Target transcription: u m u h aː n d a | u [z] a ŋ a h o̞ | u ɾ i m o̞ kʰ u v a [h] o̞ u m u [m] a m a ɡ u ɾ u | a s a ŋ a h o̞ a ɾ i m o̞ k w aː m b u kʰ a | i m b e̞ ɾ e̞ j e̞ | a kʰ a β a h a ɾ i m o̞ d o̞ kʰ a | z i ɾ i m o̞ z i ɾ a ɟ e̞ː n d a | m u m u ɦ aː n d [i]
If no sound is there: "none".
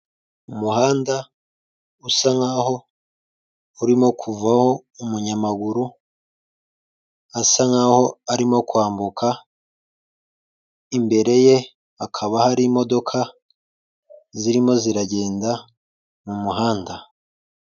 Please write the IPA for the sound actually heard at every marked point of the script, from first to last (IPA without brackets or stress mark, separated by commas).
s, h, ɲ, a